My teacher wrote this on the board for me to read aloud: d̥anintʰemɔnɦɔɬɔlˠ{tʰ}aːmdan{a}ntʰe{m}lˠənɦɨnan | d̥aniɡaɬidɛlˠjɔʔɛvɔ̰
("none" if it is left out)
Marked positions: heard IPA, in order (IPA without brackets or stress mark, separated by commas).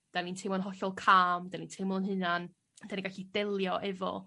kʰ, i, m